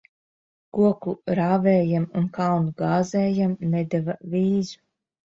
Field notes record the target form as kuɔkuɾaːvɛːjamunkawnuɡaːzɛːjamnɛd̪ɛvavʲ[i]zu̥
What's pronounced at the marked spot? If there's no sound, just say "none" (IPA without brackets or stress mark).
iː